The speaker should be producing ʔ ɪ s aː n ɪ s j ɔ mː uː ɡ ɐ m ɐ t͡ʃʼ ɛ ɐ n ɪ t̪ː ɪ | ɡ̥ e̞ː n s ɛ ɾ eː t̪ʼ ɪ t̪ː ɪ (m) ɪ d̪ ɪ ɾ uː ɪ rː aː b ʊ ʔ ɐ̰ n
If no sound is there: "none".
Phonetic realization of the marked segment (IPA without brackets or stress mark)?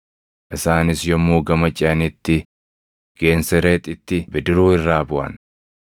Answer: b